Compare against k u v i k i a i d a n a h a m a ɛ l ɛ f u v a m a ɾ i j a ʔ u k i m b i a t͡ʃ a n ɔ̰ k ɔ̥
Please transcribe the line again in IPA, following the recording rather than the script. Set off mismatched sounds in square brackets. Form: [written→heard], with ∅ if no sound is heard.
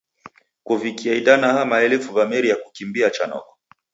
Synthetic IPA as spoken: k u v i k i a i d a n a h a m a ɛ l ɛ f u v a m [a→ɛ] ɾ i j a [ʔ→k] u k i m b i a t͡ʃ a n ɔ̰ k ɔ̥